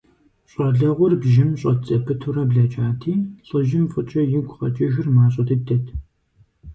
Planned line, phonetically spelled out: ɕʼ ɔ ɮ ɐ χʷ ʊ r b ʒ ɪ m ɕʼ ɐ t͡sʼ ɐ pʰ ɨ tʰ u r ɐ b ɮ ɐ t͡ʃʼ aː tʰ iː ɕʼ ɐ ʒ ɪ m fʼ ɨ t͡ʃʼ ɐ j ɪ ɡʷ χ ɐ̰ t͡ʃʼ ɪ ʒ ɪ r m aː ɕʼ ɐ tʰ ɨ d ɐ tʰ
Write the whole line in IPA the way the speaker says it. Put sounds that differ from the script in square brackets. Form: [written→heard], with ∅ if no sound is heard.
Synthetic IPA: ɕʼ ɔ ɮ ɐ [χʷ→ʁʷ] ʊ r b ʒ ɪ m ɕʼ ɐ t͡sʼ ɐ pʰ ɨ tʰ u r ɐ b ɮ ɐ t͡ʃʼ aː tʰ iː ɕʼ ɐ ʒ ɪ m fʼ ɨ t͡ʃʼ ɐ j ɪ ɡʷ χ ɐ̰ t͡ʃʼ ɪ ʒ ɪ r m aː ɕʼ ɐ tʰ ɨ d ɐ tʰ